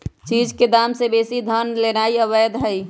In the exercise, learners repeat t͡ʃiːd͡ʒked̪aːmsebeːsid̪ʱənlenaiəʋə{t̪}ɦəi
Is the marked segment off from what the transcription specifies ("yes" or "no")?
yes